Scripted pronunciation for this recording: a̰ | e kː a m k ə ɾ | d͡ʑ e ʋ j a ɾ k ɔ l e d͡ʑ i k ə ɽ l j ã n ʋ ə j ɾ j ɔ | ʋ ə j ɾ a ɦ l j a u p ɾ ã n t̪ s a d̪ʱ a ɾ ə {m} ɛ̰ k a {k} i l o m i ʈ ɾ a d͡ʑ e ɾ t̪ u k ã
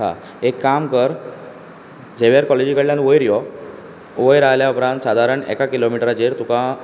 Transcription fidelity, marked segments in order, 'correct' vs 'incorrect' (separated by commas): incorrect, correct